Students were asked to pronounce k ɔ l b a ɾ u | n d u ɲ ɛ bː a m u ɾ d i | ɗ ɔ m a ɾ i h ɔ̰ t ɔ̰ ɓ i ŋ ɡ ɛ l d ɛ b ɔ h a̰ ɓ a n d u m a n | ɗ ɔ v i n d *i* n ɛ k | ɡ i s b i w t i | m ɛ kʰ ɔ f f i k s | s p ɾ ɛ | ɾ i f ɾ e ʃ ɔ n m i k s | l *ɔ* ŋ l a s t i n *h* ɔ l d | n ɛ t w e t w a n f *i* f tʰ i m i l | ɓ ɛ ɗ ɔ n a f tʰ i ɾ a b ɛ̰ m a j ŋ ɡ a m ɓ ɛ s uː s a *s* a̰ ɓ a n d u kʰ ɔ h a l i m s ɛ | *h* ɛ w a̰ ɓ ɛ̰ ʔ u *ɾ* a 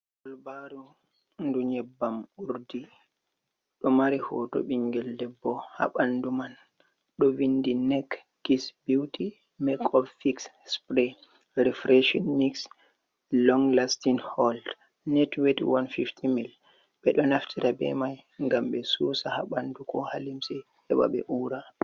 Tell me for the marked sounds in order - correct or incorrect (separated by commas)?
correct, correct, correct, correct, incorrect, correct, correct